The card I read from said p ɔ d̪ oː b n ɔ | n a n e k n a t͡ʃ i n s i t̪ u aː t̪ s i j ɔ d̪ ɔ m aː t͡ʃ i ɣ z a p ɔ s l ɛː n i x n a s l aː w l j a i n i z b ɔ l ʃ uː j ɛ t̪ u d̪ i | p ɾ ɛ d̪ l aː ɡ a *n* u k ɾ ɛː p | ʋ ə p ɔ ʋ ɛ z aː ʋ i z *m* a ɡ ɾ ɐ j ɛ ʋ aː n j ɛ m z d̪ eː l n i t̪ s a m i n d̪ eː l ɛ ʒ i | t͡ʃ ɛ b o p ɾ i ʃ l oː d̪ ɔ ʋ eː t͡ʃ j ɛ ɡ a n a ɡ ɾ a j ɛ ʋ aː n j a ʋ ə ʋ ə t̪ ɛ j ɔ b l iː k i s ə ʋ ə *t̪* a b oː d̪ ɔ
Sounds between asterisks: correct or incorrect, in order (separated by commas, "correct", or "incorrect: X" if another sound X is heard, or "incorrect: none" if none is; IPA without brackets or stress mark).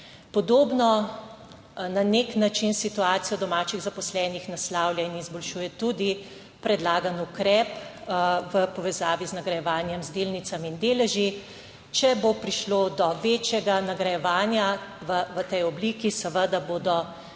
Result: correct, incorrect: n, incorrect: d̪